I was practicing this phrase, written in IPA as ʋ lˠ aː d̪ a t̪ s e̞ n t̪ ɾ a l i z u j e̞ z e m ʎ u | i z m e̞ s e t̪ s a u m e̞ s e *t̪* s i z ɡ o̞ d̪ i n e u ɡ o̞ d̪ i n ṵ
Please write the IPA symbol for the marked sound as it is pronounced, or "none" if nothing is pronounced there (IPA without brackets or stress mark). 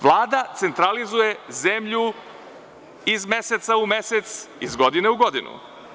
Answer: t̪